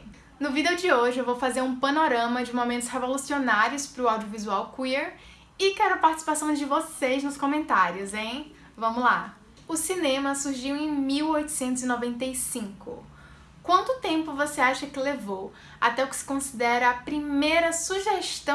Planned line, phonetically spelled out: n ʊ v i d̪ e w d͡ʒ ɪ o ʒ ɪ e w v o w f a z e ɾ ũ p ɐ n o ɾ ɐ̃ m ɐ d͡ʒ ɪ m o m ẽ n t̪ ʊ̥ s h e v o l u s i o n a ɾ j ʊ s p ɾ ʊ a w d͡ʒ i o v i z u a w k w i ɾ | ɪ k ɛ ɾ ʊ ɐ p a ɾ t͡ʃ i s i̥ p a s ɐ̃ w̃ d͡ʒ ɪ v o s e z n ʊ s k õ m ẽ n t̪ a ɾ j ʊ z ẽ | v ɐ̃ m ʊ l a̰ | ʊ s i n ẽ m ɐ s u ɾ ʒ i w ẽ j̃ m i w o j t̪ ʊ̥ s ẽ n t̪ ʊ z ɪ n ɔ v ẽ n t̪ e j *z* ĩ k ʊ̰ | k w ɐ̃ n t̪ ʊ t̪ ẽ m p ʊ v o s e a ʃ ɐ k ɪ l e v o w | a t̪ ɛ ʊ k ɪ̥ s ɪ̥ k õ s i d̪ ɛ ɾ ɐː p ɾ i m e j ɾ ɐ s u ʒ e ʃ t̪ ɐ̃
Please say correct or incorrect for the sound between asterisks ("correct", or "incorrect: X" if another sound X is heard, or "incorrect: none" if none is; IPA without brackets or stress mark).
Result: incorrect: s